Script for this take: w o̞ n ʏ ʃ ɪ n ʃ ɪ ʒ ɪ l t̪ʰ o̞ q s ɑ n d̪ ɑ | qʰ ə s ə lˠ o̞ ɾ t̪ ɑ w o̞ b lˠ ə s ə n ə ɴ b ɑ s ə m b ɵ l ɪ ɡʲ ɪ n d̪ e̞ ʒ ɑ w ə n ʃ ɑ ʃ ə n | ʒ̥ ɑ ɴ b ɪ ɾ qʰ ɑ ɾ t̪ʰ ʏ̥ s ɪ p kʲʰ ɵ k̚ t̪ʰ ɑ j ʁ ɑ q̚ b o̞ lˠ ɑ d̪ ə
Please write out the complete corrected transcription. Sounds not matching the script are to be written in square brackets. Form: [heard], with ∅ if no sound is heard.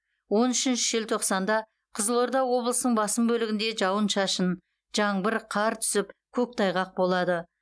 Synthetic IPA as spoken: w o̞ n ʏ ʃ ɪ n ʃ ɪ ʒ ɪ l t̪ʰ o̞ q s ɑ n d̪ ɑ | qʰ ə [z] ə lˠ o̞ ɾ [d̪] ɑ w o̞ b lˠ ə s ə n ə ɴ b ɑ s ə m b ɵ l ɪ ɡʲ ɪ n d̪ e̞ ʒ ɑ w ə n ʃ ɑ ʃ ə n | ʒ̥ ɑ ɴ b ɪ ɾ qʰ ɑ ɾ t̪ʰ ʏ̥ s ɪ p kʲʰ ɵ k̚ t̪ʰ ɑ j ʁ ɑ q̚ b o̞ lˠ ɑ d̪ ə

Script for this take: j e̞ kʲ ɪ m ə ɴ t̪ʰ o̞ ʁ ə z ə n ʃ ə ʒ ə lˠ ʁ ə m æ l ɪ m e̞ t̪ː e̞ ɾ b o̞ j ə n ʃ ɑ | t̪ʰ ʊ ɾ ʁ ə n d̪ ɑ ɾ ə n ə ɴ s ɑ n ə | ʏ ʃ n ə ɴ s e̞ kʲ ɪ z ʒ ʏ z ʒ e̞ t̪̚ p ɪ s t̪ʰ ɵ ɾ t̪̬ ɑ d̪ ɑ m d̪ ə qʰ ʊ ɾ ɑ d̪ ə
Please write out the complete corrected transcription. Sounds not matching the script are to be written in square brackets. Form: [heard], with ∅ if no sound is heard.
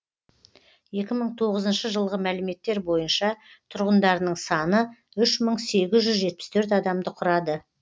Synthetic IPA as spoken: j e̞ kʲ ɪ m ə ɴ t̪ʰ o̞ ʁ ə z ə n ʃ ə ʒ ə lˠ ʁ ə m æ l ɪ m e̞ t̪ː e̞ ɾ b o̞ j ə n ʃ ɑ | t̪ʰ ʊ ɾ ʁ ə n d̪ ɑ ɾ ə n ə ɴ s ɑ n ə | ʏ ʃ [m] ə ɴ s e̞ [ɡʲ] ɪ z ʒ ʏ z ʒ e̞ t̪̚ p ɪ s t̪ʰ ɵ ɾ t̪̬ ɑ d̪ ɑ m d̪ ə qʰ ʊ ɾ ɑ d̪ ə

